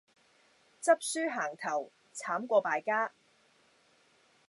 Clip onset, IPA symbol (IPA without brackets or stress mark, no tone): t͡s